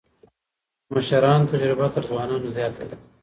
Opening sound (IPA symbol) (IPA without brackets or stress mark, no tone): m